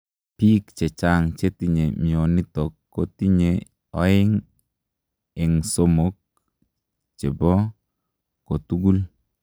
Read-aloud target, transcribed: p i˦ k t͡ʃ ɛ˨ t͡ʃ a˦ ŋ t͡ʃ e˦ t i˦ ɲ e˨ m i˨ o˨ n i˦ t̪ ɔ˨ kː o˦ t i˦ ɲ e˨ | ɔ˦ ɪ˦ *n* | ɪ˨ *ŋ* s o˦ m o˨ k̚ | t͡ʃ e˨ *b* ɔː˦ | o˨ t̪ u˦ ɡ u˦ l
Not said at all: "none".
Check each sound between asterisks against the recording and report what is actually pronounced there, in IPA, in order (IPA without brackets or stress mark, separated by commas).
ŋ, ŋ, b